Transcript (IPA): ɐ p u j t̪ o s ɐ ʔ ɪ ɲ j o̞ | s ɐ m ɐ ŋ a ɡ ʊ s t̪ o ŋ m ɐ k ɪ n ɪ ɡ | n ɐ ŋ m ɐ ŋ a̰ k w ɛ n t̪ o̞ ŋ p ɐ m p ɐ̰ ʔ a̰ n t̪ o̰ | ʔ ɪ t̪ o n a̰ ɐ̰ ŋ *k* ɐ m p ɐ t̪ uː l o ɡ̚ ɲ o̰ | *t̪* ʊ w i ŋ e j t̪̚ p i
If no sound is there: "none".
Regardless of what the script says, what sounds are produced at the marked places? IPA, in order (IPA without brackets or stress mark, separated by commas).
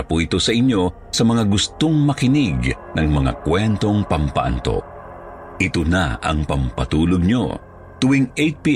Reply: p, t̪